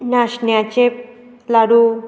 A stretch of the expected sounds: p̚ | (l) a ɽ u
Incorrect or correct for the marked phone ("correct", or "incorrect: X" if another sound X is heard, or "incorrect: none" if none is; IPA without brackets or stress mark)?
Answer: correct